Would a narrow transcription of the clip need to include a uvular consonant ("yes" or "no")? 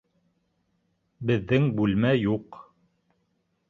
yes